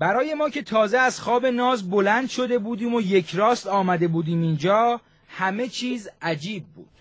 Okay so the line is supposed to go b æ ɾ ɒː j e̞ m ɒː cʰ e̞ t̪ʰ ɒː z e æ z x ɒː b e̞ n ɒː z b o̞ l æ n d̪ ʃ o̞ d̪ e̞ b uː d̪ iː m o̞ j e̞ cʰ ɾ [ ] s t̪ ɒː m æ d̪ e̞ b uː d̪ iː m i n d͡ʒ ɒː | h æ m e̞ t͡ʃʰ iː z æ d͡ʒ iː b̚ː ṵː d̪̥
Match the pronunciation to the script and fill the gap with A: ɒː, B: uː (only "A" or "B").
A